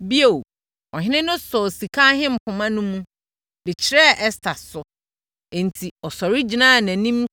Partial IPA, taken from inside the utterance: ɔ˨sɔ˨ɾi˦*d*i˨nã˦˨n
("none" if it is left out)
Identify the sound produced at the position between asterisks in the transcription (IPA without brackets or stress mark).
d͡ʑ